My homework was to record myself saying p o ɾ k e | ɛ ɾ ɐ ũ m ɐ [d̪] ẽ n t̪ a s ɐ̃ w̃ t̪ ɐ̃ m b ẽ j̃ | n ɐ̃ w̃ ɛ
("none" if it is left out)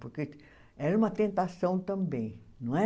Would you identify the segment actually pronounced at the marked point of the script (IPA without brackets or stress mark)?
t̪